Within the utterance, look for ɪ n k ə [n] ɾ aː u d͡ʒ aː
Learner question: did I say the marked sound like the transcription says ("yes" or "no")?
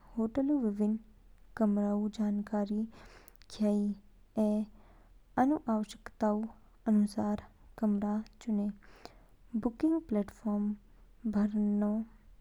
no